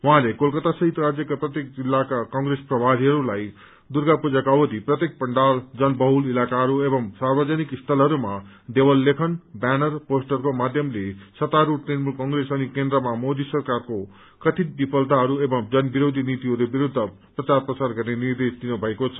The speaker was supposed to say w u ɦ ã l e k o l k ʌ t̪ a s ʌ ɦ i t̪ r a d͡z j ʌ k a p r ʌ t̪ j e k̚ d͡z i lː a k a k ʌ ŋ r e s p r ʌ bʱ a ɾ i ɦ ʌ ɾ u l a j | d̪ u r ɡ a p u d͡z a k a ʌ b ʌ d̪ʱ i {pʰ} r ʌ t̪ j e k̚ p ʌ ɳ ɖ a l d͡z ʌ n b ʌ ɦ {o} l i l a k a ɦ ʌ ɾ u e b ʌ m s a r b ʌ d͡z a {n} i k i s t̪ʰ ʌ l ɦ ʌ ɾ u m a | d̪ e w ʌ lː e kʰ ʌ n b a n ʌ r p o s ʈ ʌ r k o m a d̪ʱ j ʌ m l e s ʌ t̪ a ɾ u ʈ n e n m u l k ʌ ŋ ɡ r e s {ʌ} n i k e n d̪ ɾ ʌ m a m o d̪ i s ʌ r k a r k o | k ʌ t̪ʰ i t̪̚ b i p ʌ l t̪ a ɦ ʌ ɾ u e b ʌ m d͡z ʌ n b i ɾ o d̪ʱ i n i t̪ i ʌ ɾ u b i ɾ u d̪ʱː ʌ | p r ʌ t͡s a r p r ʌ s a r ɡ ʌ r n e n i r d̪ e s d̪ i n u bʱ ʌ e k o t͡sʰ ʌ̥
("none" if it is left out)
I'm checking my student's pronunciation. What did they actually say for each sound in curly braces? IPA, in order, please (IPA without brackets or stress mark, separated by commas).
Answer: p, u, n, ʌ